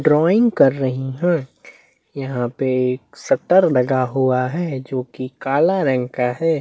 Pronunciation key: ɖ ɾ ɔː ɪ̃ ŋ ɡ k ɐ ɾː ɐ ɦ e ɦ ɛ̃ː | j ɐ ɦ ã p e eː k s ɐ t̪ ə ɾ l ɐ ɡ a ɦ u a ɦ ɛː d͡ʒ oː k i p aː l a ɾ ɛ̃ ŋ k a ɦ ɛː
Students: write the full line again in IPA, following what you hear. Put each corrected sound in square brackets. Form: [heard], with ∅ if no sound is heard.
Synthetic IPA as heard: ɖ ɾ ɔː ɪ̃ ŋ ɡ k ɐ ɾː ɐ ɦ [i] ɦ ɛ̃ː | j ɐ ɦ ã p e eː k s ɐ t̪ ə ɾ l ɐ ɡ a ɦ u a ɦ ɛː d͡ʒ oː k i [k] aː l a ɾ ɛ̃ ŋ k a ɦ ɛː